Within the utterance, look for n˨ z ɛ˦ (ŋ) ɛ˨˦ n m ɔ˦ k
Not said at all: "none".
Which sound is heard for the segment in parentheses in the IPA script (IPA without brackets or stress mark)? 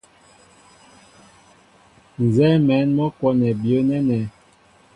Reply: m